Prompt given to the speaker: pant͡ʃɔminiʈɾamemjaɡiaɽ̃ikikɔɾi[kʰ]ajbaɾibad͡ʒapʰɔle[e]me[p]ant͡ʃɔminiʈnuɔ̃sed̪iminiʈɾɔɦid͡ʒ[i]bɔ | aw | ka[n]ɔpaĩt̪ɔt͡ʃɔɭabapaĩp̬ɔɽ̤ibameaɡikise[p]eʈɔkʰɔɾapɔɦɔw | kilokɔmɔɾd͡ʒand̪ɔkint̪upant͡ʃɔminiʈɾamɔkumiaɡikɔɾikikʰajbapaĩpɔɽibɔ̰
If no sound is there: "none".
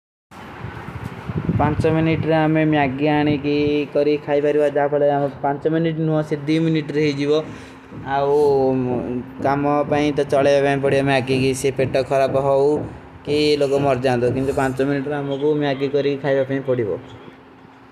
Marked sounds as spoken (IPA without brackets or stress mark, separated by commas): kʰ, a, p, i, m, p